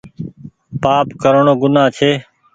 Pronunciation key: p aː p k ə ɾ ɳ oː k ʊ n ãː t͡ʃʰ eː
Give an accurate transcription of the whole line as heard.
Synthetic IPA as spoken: p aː p k ə ɾ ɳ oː ɡ ʊ n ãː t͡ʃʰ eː